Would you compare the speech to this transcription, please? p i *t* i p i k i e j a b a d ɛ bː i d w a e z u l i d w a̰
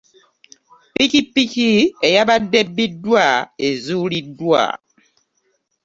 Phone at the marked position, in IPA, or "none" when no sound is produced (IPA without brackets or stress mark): k